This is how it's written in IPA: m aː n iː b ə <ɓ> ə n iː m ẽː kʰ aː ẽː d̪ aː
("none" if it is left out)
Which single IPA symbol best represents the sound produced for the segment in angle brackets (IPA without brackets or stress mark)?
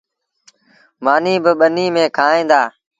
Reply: ɓ